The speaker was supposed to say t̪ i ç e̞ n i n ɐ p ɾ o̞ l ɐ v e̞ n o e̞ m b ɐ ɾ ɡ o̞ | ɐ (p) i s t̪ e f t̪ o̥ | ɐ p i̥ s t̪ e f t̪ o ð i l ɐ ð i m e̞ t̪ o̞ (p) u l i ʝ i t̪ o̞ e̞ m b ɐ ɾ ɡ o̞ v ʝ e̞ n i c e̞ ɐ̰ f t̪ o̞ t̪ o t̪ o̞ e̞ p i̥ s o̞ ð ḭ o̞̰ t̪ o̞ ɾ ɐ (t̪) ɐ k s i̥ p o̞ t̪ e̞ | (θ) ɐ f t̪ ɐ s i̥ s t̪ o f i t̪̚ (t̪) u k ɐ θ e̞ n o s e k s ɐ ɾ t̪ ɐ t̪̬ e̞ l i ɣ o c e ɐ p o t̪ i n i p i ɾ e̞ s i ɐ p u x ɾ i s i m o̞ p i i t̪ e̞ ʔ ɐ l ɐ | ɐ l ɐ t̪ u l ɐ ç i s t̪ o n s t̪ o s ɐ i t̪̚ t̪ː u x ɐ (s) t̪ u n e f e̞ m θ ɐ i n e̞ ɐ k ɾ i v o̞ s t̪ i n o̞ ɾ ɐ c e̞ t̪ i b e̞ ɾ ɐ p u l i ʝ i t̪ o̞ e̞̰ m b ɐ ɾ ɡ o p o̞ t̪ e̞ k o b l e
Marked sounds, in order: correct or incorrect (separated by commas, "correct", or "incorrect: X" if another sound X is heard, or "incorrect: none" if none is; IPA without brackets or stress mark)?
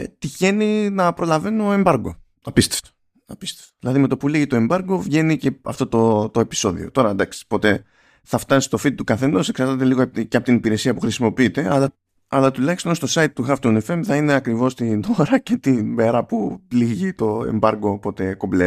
correct, correct, incorrect: d̪, correct, correct, incorrect: f